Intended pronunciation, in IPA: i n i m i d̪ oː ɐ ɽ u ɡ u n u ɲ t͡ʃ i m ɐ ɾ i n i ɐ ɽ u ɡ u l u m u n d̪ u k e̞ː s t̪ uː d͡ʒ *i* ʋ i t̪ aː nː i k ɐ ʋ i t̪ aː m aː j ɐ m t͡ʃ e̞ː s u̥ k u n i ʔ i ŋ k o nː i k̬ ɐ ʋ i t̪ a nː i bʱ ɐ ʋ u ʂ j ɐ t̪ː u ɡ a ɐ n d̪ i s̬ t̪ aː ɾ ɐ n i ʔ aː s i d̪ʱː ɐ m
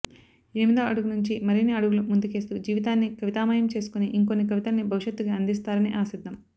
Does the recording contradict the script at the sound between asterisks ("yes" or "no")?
yes